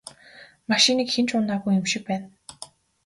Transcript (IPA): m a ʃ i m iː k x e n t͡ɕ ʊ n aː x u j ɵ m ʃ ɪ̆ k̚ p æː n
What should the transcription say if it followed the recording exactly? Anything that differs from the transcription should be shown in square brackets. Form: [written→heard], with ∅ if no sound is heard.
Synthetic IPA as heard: m a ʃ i [m→n] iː k x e n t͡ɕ ʊ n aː [x→ɣ] u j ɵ m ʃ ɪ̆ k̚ p æː n